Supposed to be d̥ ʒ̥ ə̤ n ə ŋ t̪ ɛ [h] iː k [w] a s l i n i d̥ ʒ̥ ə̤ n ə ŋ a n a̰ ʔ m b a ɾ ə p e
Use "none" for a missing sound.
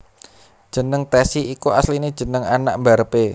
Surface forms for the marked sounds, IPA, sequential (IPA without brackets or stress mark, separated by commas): s, u